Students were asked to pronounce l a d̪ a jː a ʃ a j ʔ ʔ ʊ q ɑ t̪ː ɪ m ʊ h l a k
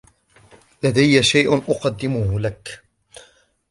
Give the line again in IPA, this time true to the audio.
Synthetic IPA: l a d̪ a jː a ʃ a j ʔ ʔ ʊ q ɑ d̪ː ɪ m ʊ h l a k